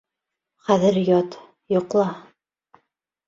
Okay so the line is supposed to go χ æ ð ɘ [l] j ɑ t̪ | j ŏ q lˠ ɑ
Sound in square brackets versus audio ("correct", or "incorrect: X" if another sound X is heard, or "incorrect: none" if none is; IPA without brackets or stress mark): incorrect: ɾ